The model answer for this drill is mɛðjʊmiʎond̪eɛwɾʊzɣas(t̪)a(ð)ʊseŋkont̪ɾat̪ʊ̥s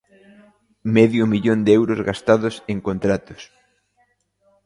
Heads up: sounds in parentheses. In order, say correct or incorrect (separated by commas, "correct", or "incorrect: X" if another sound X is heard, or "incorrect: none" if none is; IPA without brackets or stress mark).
correct, correct